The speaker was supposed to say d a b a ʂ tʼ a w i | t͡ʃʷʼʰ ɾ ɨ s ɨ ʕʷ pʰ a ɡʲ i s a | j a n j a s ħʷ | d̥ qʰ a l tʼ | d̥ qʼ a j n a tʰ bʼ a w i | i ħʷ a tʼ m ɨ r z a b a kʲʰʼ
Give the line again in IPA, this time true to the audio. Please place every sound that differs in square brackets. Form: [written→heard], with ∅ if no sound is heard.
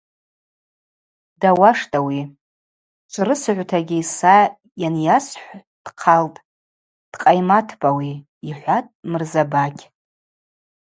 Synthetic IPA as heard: d a [b→w] a ʂ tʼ a w i | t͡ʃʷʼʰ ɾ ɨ s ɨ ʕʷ [pʰ→tʰ] a ɡʲ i s a | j a n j a s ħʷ | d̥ qʰ a l tʼ | d̥ qʼ a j [n→m] a tʰ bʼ a w i | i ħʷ a tʼ m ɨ r z a b a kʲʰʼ